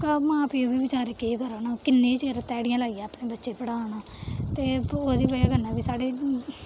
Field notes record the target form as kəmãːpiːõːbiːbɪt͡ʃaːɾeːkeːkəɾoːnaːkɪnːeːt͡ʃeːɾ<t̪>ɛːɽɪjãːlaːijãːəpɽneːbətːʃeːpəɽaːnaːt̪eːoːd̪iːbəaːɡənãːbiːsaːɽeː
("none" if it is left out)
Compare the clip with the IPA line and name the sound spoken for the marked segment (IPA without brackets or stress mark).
t̪